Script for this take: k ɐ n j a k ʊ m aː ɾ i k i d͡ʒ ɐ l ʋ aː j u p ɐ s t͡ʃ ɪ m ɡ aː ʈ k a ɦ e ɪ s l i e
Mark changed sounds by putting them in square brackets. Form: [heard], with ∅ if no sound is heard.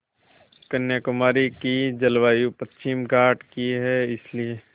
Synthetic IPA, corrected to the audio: k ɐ n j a k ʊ m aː ɾ i k i d͡ʒ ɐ l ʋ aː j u p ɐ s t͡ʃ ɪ m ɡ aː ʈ k [i] ɦ [ɛ] ɪ s l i e